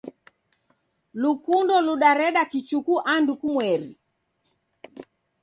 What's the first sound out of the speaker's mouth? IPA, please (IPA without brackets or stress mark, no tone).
l